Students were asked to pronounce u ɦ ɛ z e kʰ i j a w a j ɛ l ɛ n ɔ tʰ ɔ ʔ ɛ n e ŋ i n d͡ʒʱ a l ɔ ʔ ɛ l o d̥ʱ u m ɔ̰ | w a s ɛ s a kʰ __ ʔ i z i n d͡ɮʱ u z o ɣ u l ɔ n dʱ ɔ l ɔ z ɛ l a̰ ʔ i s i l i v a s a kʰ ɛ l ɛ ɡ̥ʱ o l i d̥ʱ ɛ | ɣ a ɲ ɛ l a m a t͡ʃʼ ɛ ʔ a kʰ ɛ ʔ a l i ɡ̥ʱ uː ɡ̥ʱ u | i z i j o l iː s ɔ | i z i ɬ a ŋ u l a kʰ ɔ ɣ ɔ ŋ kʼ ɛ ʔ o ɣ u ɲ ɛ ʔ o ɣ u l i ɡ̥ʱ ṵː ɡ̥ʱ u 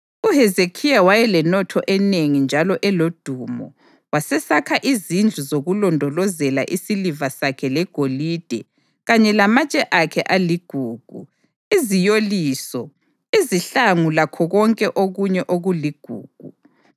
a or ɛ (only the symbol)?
a